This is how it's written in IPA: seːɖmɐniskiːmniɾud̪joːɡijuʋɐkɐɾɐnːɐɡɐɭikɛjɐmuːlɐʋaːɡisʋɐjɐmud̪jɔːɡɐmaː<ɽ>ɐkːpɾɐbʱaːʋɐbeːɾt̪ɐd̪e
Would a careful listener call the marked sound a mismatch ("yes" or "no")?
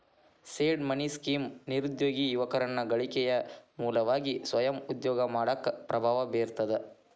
no